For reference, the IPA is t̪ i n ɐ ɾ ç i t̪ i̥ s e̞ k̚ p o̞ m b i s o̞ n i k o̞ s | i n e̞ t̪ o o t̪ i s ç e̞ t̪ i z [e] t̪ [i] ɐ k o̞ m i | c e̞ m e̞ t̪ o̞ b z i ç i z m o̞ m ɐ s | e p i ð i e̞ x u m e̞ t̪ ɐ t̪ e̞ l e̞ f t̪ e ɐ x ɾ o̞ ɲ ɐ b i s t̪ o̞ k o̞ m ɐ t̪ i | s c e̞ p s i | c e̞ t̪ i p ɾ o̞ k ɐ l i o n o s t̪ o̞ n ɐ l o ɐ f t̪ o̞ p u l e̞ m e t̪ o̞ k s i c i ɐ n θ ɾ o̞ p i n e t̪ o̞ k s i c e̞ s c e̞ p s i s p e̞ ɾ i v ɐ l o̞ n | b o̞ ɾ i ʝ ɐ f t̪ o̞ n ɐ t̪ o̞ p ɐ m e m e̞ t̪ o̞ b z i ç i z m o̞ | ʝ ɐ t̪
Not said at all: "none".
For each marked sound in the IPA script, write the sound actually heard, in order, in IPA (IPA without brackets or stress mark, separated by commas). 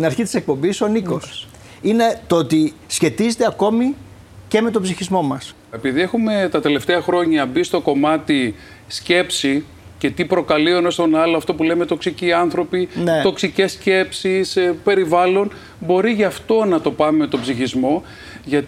e, e